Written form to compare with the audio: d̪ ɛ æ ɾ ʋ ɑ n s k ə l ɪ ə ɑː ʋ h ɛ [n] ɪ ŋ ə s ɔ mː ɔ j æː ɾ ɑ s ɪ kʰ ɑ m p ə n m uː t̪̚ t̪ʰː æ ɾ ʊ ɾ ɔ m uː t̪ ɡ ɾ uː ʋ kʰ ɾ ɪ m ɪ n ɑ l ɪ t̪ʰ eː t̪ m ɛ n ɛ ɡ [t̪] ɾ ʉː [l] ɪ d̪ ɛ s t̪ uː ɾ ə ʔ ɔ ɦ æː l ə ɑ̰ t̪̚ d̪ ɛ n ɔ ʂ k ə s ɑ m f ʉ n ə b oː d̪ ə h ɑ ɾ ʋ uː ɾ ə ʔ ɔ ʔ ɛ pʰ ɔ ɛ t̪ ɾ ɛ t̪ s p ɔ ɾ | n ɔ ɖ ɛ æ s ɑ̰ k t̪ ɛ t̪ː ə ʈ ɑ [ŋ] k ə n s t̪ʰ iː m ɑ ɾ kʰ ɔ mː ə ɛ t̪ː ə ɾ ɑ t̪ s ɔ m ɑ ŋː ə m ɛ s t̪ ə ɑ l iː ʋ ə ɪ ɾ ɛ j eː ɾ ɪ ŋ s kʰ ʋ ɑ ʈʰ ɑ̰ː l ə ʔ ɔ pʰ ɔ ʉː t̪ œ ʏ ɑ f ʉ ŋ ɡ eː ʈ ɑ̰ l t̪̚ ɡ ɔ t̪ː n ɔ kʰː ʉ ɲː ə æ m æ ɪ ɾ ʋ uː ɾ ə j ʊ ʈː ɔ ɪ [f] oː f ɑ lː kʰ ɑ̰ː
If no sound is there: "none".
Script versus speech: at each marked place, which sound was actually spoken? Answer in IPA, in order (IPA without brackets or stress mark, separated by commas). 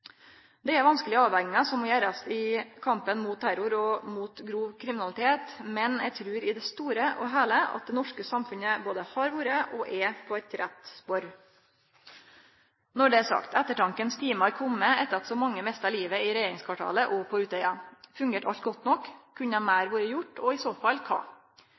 ŋ, t̪ʰ, ɾ, ŋ, s